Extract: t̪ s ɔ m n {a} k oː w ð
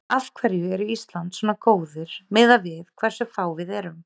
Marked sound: correct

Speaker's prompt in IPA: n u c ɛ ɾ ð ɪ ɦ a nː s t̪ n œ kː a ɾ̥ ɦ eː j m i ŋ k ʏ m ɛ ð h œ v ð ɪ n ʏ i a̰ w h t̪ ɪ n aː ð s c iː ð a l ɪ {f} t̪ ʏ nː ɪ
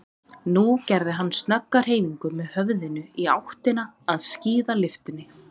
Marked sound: correct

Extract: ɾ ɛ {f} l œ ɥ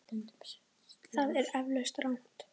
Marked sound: incorrect: v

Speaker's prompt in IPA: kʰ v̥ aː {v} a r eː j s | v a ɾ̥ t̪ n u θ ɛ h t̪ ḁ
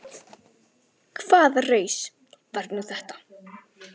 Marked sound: incorrect: ð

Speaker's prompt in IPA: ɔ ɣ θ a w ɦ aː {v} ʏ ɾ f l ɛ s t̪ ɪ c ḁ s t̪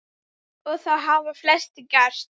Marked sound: correct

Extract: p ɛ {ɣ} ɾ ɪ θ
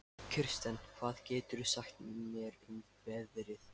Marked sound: incorrect: ð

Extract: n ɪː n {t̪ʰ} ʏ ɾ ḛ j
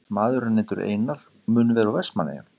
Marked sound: incorrect: t̪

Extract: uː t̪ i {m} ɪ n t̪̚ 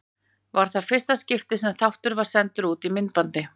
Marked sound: correct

